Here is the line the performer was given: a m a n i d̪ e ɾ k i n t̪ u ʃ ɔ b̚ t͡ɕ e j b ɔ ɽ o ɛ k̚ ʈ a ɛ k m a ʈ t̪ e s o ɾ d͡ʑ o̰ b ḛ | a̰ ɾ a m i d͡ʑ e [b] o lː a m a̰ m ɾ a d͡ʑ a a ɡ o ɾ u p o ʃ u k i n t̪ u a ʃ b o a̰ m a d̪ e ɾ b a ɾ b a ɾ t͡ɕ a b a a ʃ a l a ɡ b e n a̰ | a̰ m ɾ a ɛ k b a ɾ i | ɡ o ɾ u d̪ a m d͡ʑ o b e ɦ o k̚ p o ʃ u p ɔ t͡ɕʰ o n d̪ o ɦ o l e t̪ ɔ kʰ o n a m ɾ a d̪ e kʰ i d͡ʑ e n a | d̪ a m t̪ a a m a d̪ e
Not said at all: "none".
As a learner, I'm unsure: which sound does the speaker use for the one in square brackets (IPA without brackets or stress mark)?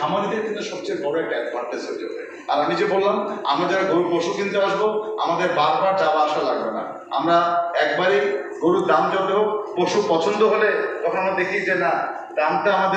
b